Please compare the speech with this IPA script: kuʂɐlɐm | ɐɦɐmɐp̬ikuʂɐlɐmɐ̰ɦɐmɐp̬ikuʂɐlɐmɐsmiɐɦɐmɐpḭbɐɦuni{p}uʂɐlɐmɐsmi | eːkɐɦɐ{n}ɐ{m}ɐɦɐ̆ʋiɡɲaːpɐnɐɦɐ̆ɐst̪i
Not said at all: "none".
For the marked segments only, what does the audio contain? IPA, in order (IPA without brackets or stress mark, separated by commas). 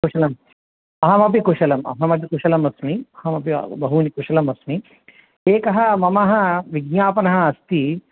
k, m, m